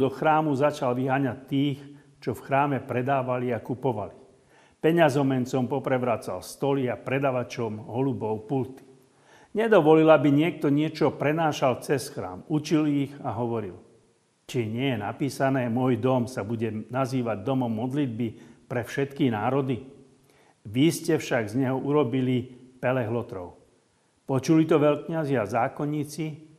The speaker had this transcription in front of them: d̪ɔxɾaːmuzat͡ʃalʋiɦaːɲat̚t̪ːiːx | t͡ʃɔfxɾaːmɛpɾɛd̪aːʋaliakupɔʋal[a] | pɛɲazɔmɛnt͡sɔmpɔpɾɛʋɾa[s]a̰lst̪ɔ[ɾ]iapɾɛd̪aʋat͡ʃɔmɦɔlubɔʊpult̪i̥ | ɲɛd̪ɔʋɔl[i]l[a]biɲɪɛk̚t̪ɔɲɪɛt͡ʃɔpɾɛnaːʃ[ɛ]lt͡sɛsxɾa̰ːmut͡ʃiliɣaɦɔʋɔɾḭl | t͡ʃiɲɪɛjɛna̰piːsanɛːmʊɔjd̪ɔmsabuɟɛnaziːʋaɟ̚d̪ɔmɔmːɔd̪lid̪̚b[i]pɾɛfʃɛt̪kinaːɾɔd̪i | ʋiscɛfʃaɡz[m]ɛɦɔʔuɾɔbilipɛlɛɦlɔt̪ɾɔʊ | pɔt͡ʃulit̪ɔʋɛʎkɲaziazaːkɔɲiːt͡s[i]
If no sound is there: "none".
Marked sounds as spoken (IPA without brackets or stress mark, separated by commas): i, t͡s, l, i, a, a, i, ɲ, i